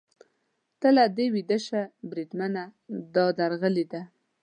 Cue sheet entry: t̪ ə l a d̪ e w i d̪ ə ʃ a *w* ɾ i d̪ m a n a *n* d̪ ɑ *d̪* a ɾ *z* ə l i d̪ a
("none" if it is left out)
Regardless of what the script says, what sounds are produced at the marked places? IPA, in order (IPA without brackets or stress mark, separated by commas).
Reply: b, none, d̪, ɣ